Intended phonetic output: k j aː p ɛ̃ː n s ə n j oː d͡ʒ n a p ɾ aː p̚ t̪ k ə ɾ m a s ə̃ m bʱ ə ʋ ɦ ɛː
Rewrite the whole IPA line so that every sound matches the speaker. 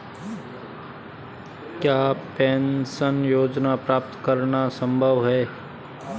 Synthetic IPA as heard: k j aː p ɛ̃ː n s ə n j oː d͡ʒ n a p ɾ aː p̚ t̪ k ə ɾ n a s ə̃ m bʱ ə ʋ ɦ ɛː

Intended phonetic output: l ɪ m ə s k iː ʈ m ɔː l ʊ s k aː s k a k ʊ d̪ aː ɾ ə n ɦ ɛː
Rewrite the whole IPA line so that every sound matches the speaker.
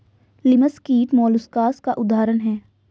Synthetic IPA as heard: l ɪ m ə s k iː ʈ m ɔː l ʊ s k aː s k a ʔ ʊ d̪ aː ɾ ə n ɦ ɛː

